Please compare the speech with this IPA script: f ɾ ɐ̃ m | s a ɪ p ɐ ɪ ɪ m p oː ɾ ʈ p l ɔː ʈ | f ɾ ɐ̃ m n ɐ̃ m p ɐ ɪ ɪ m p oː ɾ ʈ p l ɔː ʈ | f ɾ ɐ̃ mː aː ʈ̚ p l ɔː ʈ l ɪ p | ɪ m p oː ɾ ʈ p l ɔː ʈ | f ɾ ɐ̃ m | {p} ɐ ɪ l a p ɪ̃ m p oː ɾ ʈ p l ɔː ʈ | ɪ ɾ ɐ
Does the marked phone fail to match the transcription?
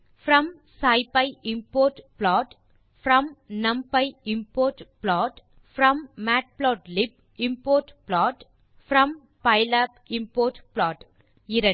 no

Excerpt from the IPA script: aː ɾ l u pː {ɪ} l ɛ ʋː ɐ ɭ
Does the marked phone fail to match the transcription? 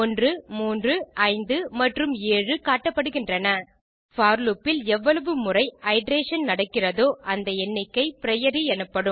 no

